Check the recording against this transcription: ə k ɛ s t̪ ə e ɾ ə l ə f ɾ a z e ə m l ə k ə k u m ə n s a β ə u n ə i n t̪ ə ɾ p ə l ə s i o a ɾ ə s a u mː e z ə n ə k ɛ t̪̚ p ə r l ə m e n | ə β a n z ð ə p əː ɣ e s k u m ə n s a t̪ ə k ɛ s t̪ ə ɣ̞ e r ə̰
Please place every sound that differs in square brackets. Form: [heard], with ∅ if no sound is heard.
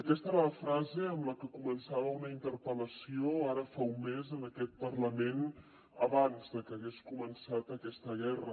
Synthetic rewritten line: ə k ɛ s t̪ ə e ɾ [a] l ə f ɾ a z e ə m l ə k ə k u m ə n s a β ə u n ə i n t̪ ə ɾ p ə l ə s i o a ɾ ə [f] a u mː e z ə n ə k ɛ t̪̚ p ə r l ə m e n | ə β a n z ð ə [k] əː ɣ e s k u m ə n s a t̪ ə k ɛ s t̪ ə ɣ̞ [ɛ] r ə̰